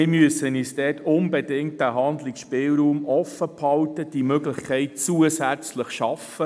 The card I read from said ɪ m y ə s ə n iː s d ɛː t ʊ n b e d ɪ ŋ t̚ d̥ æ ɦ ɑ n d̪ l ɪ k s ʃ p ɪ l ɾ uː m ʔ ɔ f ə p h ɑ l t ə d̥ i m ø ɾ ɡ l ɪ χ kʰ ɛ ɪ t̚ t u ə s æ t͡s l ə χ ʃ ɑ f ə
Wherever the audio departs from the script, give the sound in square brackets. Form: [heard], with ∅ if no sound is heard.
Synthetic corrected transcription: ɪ m y ə s ə n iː s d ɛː t ʊ n b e d ɪ ŋ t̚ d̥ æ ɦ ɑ n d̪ l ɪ k s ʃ p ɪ l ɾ uː m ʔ ɔ f ə p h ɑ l t ə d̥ i m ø [∅] ɡ l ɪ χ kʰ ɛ ɪ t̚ [t͡s] u ə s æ t͡s l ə χ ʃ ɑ f ə

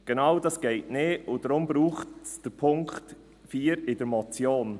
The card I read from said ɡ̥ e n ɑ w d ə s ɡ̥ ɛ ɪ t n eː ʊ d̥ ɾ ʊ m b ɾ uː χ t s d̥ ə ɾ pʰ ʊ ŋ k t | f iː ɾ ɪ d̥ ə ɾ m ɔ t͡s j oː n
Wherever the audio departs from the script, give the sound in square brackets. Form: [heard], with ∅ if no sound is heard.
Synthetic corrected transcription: ɡ̥ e n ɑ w d [ɑ] s ɡ̥ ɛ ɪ t n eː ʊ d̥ ɾ ʊ m b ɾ uː χ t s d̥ ə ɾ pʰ ʊ ŋ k t | f iː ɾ ɪ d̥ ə ɾ m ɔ t͡s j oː n

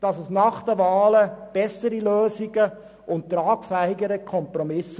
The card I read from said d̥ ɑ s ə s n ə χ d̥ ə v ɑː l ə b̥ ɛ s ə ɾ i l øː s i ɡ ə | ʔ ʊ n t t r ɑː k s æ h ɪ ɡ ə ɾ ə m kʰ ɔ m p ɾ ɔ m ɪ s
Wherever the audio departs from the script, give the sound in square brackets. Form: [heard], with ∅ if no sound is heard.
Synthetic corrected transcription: d̥ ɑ s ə s n [ɑ] χ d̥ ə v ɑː l ə b̥ ɛ s ə ɾ i l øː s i ɡ ə | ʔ ʊ n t t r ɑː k [f] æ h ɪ ɡ ə ɾ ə [∅] kʰ ɔ m p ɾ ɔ m ɪ s

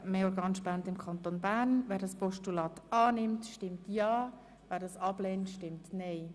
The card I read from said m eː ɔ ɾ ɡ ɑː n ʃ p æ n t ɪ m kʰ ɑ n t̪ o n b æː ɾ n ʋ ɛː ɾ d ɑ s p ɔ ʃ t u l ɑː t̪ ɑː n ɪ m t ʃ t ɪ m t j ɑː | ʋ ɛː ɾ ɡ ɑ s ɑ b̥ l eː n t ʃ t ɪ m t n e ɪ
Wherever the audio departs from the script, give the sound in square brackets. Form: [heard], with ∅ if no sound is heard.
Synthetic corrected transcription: m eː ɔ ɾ ɡ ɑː n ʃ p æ n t ɪ m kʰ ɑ n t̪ o n b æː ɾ n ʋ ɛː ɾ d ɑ s p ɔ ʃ t u l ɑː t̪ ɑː n ɪ m t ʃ t ɪ m t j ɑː | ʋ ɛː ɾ [d] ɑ s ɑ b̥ l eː n t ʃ t ɪ m t n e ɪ

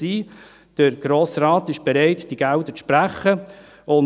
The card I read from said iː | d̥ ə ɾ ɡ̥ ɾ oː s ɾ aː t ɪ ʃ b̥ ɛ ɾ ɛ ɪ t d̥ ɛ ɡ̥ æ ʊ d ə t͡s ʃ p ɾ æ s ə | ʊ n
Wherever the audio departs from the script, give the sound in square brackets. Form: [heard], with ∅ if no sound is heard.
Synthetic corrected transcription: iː | d̥ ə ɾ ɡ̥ ɾ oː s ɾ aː t ɪ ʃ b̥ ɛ ɾ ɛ ɪ t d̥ [i] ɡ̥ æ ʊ d ə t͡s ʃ p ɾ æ [χ] ə | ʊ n

